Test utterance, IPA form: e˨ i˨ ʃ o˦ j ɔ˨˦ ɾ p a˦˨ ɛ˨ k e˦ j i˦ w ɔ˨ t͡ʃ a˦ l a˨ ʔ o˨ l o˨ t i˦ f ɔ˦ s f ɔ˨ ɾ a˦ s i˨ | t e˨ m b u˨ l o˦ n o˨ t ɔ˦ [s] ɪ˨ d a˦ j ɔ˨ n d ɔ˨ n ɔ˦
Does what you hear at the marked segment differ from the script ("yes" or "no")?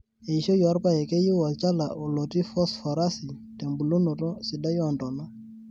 no